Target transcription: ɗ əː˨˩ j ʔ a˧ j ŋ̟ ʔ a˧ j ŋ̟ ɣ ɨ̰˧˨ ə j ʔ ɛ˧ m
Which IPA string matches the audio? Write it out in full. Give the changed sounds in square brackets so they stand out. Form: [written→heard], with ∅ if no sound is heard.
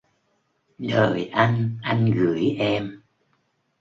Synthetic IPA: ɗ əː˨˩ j ʔ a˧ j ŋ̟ ʔ a˧ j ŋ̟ ɣ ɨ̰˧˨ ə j ʔ ɛ˧ m